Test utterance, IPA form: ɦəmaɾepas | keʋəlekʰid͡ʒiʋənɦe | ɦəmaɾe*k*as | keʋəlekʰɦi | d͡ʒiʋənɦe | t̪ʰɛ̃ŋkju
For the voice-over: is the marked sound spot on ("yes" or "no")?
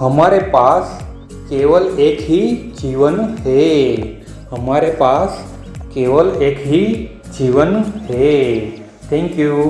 no